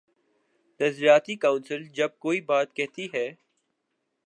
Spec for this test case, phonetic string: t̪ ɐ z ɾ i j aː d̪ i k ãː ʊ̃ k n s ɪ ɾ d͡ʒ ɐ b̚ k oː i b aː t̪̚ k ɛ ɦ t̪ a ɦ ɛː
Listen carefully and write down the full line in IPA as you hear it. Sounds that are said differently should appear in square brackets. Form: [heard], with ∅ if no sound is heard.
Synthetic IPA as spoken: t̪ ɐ z ɾ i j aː [t̪] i k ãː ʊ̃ [∅] n s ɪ [l] d͡ʒ ɐ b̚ k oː i b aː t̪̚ k ɛ ɦ t̪ [i] ɦ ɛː